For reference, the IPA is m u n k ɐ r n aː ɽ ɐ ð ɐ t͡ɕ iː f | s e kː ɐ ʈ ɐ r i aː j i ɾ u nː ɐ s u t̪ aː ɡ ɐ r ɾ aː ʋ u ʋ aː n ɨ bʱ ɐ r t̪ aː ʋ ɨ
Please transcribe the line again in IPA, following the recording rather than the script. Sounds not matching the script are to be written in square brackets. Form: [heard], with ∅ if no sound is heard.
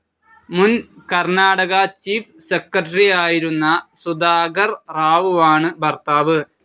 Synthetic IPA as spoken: m u n k ɐ r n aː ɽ ɐ [ɣ] ɐ t͡ɕ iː f | s e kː ɐ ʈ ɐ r i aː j i ɾ u nː ɐ s u [d̪] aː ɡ ɐ r [r] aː ʋ u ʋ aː [ɳ] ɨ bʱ ɐ r t̪ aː ʋ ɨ